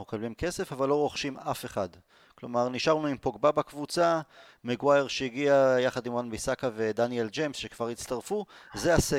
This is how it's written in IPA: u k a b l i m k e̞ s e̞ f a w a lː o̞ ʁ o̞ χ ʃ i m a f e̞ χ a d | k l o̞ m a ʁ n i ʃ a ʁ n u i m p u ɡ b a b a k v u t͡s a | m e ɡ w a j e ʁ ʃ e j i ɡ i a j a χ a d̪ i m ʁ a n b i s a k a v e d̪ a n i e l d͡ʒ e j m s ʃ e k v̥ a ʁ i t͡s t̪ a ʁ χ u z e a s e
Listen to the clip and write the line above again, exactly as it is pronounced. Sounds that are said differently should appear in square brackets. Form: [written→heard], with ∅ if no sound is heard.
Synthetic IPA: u k a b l i m k e̞ s e̞ f a [w→v] a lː o̞ ʁ o̞ χ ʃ i m a f e̞ χ a d | k l o̞ m a ʁ n i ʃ a ʁ n u i m p [u→o] ɡ b a b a k v u t͡s a | m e ɡ w a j e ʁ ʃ e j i ɡ i a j a χ a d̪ i m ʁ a n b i s a k a v e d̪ a n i e l d͡ʒ e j m s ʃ e k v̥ a ʁ i t͡s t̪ a ʁ [χ→f] u z e a s e